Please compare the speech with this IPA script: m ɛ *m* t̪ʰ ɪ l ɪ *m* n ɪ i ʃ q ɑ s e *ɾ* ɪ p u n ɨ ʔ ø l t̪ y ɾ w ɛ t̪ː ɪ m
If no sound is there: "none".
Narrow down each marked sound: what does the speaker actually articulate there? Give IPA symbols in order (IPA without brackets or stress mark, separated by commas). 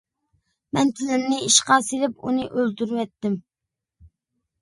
n, m, l